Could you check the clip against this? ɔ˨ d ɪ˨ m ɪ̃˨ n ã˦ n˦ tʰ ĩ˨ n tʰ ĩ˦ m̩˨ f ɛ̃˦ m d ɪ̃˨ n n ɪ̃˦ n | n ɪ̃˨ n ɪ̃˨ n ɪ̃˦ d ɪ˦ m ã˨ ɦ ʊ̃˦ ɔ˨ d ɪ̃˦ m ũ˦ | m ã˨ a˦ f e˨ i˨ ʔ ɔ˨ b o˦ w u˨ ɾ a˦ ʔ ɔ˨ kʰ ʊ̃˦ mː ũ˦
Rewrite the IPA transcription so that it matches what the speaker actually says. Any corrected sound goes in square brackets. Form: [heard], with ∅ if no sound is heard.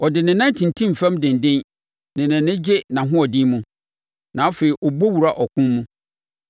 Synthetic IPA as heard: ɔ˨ d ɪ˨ [n] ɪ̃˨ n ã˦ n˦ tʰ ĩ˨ n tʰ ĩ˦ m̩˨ f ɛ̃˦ m d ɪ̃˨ n [d] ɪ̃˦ n | n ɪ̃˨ n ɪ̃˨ n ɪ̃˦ [d͡ʑ] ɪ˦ [n] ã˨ ɦ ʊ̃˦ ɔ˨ d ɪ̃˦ m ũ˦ | [n] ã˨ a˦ f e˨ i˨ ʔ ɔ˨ b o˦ w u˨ ɾ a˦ ʔ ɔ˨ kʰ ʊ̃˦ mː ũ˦